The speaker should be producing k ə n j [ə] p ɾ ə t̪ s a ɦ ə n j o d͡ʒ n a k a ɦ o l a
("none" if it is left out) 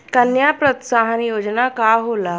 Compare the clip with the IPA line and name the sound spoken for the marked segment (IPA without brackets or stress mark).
a